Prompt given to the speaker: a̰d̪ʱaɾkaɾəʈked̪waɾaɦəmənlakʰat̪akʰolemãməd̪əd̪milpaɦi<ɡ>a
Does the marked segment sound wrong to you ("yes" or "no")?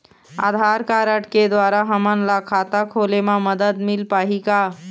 yes